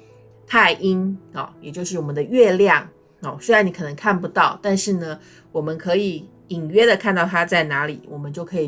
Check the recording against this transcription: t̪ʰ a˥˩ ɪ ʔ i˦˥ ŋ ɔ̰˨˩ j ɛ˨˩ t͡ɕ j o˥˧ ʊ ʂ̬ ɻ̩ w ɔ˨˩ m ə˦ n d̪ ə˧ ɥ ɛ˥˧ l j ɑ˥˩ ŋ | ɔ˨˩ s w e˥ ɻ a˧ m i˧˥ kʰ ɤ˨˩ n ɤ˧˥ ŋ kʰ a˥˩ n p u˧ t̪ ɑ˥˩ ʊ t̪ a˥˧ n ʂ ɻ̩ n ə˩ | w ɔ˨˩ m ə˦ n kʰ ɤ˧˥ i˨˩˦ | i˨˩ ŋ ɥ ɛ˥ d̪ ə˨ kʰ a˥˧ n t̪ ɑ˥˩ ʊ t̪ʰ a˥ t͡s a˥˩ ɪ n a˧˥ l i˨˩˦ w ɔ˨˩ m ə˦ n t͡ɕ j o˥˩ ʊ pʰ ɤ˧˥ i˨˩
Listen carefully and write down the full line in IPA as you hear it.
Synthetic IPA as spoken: t̪ʰ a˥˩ ɪ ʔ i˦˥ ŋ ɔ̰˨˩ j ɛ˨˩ t͡ɕ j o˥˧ ʊ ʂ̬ ɻ̩ w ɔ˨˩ m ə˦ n d̪ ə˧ ɥ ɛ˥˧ l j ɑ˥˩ ŋ | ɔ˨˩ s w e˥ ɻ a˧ n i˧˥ kʰ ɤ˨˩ n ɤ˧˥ ŋ kʰ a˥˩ n p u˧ t̪ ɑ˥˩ ʊ t̪ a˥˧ n ʂ ɻ̩ n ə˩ | w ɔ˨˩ m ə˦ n kʰ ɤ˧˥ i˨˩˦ | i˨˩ ŋ ɥ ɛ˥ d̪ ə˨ kʰ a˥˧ n t̪ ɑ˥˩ ʊ t̪ʰ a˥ t͡s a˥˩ ɪ n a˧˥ l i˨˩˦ w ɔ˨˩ m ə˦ n t͡ɕ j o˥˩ ʊ kʰ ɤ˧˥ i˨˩